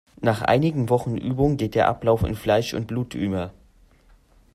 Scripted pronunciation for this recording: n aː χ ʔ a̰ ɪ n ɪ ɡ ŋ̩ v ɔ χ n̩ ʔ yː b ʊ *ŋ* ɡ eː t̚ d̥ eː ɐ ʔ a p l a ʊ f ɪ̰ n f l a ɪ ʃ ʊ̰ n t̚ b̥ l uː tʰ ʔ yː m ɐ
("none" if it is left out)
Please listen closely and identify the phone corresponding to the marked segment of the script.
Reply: ŋ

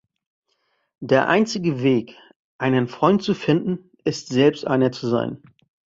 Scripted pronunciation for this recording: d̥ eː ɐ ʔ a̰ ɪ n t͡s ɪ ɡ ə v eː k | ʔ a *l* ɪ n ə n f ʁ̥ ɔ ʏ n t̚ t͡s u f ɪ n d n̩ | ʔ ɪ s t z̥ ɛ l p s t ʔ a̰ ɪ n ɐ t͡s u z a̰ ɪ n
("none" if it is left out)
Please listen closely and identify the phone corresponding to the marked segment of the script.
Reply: none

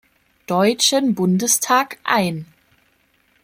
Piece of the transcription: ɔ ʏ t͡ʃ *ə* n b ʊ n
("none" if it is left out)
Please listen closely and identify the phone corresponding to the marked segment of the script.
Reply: ə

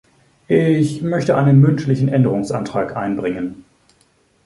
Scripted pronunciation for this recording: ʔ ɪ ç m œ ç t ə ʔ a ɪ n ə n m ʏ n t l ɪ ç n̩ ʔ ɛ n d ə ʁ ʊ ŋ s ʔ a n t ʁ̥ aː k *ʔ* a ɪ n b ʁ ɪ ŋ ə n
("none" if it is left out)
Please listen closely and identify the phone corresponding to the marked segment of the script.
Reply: ʔ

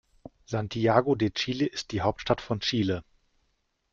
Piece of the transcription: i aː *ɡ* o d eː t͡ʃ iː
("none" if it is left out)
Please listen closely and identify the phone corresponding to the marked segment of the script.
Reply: ɡ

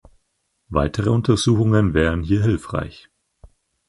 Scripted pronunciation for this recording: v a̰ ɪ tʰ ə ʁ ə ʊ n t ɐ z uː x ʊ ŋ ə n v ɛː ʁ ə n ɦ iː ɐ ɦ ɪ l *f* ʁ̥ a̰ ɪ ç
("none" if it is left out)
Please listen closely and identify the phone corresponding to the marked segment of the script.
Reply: f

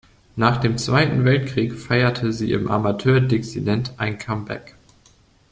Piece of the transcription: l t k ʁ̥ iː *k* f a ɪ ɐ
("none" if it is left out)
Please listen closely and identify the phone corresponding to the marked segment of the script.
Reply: k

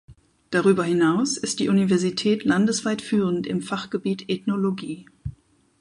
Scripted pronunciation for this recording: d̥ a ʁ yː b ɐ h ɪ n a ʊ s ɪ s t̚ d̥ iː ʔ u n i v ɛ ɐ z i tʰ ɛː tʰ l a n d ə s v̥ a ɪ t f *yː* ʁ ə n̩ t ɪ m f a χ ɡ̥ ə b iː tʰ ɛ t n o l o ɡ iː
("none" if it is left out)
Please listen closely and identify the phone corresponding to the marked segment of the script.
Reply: yː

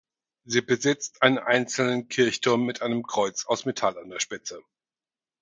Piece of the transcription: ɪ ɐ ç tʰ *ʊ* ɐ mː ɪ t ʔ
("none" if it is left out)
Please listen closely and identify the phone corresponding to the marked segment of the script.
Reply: ʊ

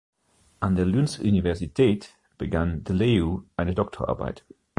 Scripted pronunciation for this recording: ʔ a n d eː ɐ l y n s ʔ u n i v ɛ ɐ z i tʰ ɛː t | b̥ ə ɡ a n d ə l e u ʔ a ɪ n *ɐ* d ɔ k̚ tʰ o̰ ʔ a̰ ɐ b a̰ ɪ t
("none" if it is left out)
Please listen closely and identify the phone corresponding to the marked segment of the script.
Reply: ə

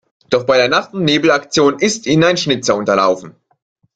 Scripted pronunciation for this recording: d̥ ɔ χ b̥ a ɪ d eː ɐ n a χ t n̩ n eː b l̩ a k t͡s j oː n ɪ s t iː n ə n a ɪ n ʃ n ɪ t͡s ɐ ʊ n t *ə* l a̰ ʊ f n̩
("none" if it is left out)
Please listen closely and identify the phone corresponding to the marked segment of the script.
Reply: ɐ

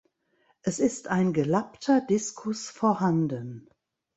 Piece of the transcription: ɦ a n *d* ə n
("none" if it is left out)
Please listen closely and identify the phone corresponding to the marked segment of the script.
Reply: d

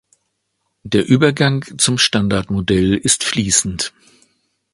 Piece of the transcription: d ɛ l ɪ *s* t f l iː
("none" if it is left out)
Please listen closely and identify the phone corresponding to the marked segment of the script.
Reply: s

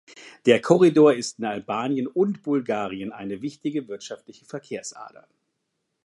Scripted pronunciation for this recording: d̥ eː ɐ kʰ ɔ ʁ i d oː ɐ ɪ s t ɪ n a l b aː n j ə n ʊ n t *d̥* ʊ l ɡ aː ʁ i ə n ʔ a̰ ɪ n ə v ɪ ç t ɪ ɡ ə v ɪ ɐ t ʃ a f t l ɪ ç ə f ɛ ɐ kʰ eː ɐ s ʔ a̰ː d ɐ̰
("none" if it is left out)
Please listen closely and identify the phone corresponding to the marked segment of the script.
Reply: b̥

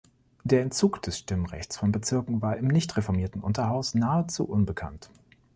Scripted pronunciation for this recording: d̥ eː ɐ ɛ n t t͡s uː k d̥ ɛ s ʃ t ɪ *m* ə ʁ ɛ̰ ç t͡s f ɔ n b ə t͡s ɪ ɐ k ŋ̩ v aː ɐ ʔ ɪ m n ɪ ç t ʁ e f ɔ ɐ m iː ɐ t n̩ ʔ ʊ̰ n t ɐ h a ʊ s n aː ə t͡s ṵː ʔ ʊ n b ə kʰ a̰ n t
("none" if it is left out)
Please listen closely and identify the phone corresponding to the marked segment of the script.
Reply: m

